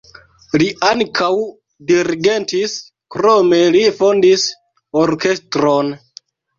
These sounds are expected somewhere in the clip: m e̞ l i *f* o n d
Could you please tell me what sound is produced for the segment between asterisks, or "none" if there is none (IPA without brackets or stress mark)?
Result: f